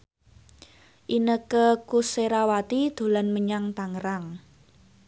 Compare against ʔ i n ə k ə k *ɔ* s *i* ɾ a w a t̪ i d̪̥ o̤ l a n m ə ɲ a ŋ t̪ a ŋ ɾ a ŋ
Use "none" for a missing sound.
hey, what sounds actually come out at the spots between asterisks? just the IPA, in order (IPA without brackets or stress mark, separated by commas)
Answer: u, e